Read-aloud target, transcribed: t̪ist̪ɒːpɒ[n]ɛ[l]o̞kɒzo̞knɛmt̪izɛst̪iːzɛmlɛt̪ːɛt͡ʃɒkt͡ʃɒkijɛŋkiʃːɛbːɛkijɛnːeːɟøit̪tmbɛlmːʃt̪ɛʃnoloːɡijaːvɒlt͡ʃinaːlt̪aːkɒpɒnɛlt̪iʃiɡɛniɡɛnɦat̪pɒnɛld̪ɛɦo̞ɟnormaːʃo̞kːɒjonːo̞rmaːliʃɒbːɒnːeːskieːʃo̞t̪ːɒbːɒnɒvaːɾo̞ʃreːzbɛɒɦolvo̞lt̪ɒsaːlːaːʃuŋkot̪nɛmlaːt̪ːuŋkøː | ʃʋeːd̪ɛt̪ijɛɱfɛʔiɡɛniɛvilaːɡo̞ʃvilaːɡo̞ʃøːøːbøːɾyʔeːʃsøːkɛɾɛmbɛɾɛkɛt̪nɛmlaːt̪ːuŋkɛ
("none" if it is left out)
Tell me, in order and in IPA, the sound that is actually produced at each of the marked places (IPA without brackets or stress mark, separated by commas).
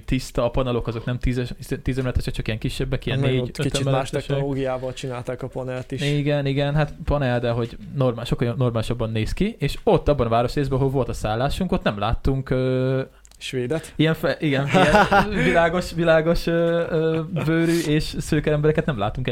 n, l